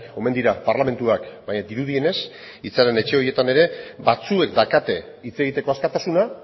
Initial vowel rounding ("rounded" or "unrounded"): rounded